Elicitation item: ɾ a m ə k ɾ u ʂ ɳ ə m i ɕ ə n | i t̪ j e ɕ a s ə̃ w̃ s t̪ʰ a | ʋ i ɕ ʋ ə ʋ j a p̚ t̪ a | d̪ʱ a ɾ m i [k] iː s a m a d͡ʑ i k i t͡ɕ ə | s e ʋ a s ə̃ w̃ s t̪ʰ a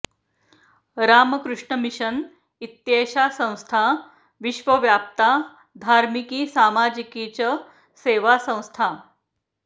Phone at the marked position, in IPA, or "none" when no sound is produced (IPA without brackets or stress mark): k